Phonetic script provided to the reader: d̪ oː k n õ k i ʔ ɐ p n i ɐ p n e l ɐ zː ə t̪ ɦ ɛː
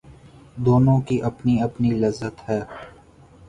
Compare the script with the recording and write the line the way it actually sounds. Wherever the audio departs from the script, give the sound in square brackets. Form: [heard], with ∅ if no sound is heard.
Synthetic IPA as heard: d̪ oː [∅] n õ k i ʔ ɐ p n i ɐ p n [i] l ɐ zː ə t̪ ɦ ɛː